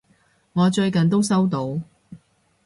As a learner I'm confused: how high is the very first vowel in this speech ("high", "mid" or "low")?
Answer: mid